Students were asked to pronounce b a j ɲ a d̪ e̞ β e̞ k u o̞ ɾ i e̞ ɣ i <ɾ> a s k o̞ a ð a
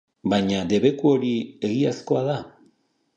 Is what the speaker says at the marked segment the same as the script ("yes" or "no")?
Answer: no